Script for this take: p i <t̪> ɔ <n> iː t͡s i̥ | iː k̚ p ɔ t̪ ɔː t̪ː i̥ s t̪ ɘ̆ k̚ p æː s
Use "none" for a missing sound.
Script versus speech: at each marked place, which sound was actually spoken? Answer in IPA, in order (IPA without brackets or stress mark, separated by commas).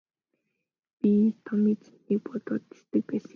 t̪ʰ, m